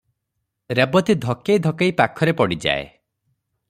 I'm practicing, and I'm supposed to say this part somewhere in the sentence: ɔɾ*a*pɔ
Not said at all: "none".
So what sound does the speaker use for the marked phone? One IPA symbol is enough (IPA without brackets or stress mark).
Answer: e